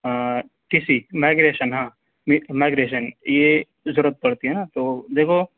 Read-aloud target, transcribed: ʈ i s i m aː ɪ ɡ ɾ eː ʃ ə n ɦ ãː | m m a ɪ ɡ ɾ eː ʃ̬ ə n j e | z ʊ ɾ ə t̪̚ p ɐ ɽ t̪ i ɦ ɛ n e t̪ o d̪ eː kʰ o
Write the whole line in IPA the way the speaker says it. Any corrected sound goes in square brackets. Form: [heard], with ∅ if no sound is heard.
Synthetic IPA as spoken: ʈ i s i m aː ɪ ɡ ɾ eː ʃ ə n ɦ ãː | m m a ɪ ɡ ɾ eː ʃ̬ ə n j e | z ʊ ɾ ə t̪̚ p ɐ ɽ t̪ i ɦ ɛ n [a] t̪ o d̪ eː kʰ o